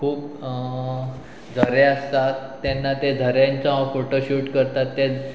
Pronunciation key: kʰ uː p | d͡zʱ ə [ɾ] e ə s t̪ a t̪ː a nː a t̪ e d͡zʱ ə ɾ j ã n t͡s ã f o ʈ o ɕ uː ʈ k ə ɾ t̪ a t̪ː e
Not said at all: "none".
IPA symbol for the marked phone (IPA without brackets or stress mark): ɾ